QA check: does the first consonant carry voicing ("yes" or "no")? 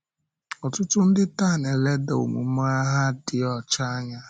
no